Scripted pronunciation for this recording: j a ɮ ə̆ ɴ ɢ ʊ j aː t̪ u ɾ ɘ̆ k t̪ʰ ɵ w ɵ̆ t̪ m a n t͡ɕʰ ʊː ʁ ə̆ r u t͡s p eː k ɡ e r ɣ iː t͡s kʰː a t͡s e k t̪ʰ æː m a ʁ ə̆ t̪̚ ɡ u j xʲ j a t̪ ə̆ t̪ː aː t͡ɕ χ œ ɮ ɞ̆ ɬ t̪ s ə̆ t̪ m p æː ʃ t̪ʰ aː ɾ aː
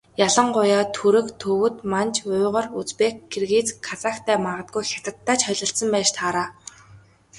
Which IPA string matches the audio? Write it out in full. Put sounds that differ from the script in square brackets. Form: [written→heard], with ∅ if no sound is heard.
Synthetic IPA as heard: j a ɮ ə̆ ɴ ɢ ʊ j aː [t̪→t̪ʰ] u ɾ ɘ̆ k t̪ʰ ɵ w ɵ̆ t̪ m a n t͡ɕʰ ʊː ʁ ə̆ r u t͡s p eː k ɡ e r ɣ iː t͡s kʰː a t͡s [e→a] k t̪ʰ æː m a ʁ ə̆ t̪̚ ɡ u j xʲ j a t̪ ə̆ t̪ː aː t͡ɕ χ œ ɮ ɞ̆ ɬ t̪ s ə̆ [t̪→∅] m p æː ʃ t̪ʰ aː ɾ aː